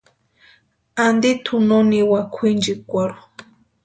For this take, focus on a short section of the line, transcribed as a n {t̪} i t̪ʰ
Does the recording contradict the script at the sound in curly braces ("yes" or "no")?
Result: yes